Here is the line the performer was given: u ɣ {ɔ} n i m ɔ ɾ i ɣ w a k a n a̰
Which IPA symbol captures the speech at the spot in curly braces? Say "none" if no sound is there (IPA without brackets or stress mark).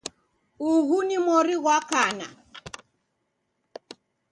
u